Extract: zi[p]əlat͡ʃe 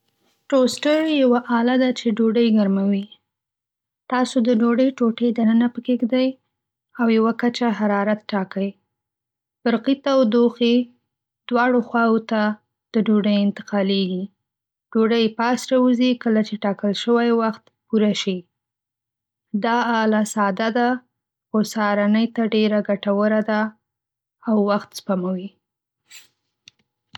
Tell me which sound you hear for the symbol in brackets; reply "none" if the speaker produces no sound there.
k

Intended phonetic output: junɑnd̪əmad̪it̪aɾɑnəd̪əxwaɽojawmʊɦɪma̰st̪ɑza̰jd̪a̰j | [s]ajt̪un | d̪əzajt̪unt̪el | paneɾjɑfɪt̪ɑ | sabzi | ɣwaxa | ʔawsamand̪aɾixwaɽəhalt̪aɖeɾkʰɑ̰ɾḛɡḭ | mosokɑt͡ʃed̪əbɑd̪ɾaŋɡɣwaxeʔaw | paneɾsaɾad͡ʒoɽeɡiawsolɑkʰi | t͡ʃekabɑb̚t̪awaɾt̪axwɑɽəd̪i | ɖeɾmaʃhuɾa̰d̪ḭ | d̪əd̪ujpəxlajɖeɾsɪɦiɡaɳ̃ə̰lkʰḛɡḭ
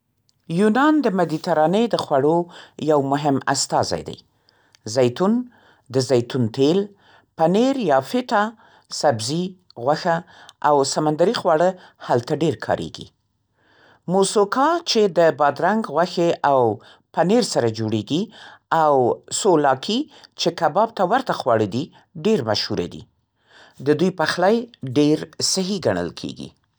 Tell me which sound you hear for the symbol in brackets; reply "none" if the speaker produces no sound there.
z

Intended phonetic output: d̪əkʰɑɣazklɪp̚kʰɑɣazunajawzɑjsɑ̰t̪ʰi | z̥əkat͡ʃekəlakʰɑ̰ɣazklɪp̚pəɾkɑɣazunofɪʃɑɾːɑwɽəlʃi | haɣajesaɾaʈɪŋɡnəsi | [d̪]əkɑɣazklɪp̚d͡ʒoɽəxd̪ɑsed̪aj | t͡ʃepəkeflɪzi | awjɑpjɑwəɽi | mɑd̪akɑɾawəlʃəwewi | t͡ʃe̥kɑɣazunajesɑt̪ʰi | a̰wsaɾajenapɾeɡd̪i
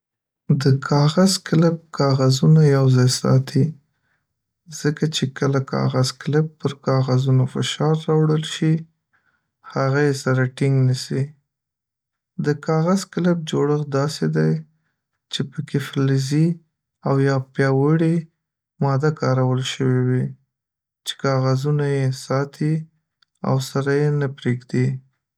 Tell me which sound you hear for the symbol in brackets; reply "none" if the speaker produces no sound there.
d̪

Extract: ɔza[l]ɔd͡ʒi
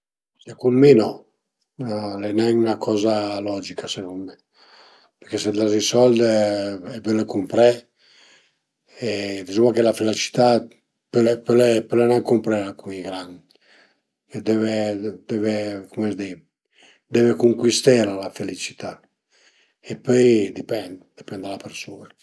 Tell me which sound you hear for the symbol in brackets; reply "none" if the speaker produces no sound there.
l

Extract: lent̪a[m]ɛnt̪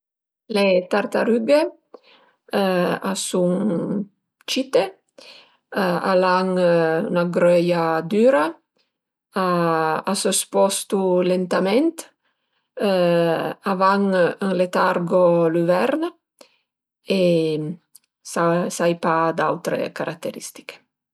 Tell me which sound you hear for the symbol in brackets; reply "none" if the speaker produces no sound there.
m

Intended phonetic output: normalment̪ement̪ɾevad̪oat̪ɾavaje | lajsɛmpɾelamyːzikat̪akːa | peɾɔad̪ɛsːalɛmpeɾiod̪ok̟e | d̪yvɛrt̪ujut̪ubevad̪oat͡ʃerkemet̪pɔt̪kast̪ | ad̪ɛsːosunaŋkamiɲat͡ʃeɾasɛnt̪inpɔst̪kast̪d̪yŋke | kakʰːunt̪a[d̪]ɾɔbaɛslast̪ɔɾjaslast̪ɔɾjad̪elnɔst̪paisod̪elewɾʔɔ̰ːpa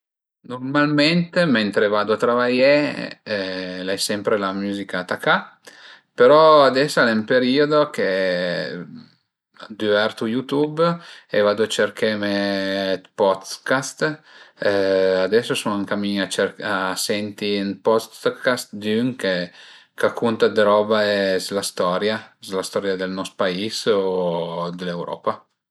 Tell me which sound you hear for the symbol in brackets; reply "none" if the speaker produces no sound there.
d̪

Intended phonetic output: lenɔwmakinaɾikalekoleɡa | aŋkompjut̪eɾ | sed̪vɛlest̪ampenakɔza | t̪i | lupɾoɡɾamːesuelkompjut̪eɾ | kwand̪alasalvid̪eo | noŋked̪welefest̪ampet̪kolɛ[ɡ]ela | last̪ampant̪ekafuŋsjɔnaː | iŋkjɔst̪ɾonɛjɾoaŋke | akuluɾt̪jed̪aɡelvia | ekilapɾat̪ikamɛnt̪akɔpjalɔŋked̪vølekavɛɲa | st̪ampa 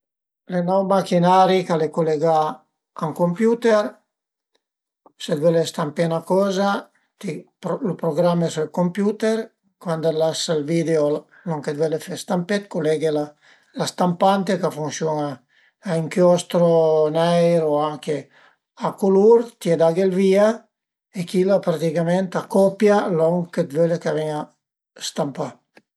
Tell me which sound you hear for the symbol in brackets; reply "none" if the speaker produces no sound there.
ɡ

